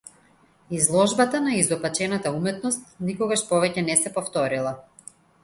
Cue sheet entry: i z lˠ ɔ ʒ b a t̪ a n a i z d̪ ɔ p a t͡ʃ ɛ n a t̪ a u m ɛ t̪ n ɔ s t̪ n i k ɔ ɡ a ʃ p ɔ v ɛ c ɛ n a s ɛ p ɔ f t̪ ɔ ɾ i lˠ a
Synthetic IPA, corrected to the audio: i z lˠ ɔ ʒ b a t̪ a n a i z d̪ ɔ p a t͡ʃ ɛ n a t̪ a u m ɛ t̪ n ɔ s t̪ n i k ɔ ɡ a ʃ p ɔ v ɛ c ɛ n ɛ s ɛ p ɔ f t̪ ɔ ɾ i lˠ a